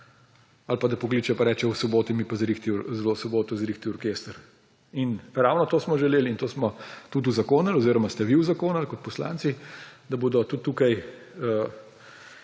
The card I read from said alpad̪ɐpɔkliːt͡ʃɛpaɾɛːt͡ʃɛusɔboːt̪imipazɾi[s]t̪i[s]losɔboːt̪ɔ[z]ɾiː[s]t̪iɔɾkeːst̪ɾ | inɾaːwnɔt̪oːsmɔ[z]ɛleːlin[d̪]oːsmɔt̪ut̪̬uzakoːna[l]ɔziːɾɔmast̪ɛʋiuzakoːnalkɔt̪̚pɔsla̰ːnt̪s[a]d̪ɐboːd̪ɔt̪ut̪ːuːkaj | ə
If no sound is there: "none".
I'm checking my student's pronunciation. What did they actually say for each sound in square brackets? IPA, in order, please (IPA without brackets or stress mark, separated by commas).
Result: x, z, z, x, ʒ, t̪, l, i